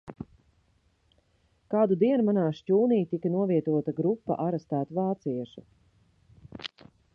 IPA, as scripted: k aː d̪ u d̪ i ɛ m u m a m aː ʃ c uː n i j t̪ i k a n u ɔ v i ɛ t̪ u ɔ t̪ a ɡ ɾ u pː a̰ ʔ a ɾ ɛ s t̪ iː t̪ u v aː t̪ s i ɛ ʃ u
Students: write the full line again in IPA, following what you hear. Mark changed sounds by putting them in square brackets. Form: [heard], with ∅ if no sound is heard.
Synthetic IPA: k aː d̪ u d̪ i ɛ [n] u m a [n] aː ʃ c uː n i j t̪ i k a n u ɔ v i ɛ t̪ u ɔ t̪ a ɡ ɾ u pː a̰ ʔ a ɾ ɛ s t̪ [æː] t̪ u v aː t̪ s i ɛ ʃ u

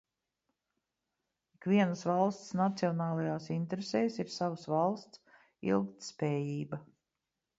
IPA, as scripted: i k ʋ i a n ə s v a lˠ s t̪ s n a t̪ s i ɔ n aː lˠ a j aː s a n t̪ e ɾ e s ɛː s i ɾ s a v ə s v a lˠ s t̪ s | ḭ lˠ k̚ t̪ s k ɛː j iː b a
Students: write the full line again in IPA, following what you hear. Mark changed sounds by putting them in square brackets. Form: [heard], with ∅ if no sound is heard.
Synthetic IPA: i k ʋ i [ɛ] n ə s v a lˠ s t̪ s n a t̪ s i ɔ n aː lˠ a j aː s [i] n t̪ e ɾ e s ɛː s i ɾ s a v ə s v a lˠ s t̪ s | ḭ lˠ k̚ t̪ s [p] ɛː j iː b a

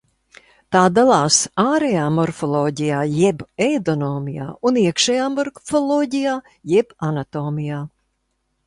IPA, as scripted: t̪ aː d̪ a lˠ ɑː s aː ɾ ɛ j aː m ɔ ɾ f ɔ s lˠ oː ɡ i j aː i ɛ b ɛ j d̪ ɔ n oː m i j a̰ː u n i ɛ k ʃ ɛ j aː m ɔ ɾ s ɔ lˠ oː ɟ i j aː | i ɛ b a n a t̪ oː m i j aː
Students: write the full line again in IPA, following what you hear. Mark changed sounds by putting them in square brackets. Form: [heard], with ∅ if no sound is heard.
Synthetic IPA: t̪ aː d̪ a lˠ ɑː s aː ɾ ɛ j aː m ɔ ɾ f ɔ [∅] lˠ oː [ɟ] i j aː [j] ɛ b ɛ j d̪ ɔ n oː m i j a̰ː u n i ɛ k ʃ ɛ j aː m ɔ ɾ [f] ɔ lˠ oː ɟ i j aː | [j] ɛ b a n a t̪ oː m i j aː

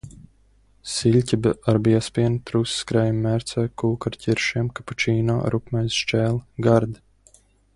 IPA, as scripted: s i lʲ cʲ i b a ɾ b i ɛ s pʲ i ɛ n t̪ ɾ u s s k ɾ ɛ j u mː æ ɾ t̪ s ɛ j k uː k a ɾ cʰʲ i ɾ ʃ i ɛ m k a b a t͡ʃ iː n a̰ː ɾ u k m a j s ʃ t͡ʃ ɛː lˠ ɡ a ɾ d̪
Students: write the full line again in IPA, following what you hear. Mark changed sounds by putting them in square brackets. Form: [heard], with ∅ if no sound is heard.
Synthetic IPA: s i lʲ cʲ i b a ɾ b i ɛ s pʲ i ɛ n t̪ ɾ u s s k ɾ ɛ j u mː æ ɾ t̪ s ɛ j k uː k a ɾ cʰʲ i ɾ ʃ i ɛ m k a [p] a t͡ʃ iː n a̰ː ɾ u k m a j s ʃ t͡ʃ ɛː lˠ ɡ a ɾ d̪

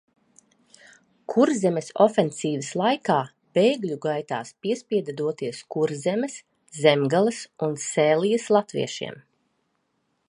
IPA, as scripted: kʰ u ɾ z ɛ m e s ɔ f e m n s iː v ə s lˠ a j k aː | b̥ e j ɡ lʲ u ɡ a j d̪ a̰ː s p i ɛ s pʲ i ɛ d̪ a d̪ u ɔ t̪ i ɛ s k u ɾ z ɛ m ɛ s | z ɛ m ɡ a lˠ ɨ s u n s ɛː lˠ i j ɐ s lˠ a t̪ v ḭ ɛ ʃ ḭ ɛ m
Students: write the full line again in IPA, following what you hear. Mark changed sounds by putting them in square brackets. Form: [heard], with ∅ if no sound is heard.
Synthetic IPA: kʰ u ɾ z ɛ m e s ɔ f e [∅] n s iː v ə s lˠ a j k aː | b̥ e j ɡ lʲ u ɡ a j [t̪] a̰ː s p i ɛ s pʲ i ɛ d̪ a d̪ u ɔ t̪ i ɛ s k u ɾ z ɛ m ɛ s | z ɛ m ɡ a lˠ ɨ s u n s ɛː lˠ i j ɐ s lˠ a t̪ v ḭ ɛ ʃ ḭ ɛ m

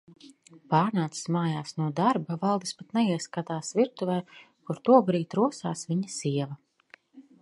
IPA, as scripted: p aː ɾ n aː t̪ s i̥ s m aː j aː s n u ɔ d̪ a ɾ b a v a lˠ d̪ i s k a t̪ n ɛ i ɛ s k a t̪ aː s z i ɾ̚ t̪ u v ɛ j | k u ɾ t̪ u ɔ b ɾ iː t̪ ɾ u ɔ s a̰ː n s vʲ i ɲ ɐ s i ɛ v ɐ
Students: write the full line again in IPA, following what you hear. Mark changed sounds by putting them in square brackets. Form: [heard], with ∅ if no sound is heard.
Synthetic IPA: p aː ɾ n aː t̪ s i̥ s m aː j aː s n u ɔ d̪ a ɾ b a v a lˠ d̪ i s [p] a t̪ n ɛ i ɛ s k a t̪ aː s [v] i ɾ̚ t̪ u v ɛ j | k u ɾ t̪ u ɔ b ɾ iː t̪ ɾ u ɔ s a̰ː [∅] s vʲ i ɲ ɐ s i ɛ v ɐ

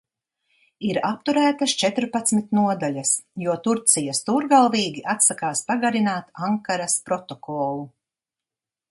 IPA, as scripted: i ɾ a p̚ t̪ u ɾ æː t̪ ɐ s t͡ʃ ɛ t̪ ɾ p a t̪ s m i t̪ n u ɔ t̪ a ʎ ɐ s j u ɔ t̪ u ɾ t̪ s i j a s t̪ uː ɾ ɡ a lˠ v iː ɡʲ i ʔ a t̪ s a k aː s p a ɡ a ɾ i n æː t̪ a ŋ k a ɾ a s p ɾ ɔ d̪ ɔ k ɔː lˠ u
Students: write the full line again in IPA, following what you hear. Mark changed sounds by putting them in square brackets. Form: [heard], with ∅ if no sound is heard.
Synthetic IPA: i ɾ a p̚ t̪ u ɾ æː t̪ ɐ s t͡ʃ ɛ t̪ ɾ p a t̪ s m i t̪ n u ɔ [d̪] a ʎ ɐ s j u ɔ t̪ u ɾ t̪ s i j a s t̪ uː ɾ ɡ a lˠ v iː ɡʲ i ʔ a t̪ s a k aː s p a ɡ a ɾ i n [aː] t̪ a ŋ k a ɾ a s p ɾ ɔ [t̪] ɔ k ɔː lˠ u

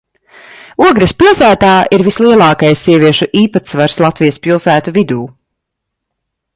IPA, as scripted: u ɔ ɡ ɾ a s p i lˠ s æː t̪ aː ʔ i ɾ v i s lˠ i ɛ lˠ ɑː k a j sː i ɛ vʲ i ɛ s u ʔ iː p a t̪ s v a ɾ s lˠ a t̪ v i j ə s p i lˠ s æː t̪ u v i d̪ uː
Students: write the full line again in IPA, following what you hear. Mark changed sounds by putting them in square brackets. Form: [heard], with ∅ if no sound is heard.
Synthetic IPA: u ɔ ɡ ɾ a s p i lˠ s æː t̪ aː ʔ i ɾ v i s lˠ i ɛ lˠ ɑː k a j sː i ɛ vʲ i ɛ [ʃ] u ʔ iː p a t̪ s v a ɾ s lˠ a t̪ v i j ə s p i lˠ s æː t̪ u v i d̪ uː

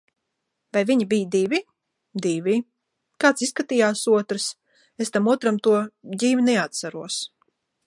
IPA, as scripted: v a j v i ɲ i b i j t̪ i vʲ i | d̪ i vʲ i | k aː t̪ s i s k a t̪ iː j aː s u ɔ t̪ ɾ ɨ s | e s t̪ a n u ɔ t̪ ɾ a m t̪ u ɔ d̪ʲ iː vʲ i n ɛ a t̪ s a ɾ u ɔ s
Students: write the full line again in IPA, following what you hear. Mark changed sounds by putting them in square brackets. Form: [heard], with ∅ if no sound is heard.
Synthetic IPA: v a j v i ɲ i b i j [d̪] i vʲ i | d̪ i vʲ i | k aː t̪ s i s k a t̪ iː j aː s u ɔ t̪ ɾ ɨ s | e s t̪ a [m] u ɔ t̪ ɾ a m t̪ u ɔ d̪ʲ iː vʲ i n ɛ a t̪ s a ɾ u ɔ s

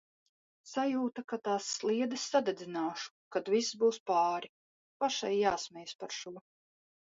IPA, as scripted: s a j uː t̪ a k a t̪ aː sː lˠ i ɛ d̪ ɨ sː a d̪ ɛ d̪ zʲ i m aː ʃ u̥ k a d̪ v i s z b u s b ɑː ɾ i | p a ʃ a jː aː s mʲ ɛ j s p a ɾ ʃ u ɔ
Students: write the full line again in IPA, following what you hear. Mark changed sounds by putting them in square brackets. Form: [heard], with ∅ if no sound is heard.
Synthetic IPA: s a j uː t̪ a k a t̪ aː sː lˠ i ɛ d̪ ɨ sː a d̪ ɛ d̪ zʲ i [n] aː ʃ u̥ k a d̪ v i s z b [uː] s [p] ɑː ɾ i | p a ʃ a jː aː s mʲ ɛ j s p a ɾ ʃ u ɔ

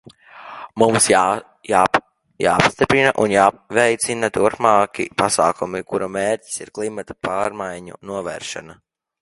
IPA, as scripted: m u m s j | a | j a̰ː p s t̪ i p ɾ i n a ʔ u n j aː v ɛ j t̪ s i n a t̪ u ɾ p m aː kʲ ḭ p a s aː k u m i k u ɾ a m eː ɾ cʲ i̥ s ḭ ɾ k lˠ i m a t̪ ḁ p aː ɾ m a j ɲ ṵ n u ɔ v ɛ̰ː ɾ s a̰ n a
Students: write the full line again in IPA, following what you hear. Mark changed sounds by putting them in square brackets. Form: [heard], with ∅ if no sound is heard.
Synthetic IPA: m u m s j | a | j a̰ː p s t̪ i p ɾ i n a ʔ u n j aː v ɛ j t̪ s i n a t̪ u ɾ p m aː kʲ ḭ p a s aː k u m i k u ɾ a m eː ɾ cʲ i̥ s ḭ ɾ k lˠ i m a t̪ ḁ p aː ɾ m a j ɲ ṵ n u ɔ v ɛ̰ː ɾ [ʃ] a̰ n a

